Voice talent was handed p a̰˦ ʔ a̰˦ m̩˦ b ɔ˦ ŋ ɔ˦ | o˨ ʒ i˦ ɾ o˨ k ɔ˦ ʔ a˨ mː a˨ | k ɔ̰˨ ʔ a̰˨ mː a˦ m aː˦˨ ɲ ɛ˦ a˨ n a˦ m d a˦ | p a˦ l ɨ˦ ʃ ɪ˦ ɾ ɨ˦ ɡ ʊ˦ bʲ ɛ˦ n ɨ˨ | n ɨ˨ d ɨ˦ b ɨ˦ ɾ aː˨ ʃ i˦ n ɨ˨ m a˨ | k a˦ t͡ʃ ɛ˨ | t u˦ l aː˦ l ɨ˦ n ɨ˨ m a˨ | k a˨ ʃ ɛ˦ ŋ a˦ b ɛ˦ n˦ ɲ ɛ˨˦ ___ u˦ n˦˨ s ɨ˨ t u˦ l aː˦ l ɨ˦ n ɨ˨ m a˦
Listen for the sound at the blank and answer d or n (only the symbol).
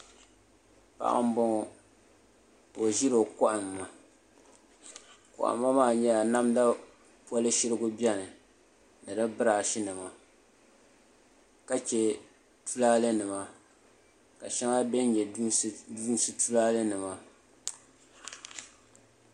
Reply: d